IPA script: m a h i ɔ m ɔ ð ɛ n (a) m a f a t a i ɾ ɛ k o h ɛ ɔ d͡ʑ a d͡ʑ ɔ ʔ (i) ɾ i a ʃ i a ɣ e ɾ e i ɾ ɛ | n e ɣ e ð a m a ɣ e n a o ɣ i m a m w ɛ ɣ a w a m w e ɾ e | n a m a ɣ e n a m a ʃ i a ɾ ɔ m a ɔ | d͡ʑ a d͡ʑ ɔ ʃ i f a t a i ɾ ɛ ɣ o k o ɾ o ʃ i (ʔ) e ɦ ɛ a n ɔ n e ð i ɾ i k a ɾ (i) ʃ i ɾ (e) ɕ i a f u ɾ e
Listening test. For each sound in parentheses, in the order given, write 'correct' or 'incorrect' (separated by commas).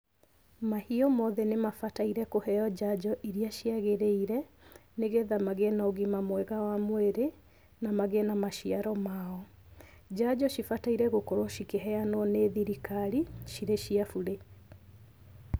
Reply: incorrect, correct, incorrect, correct, correct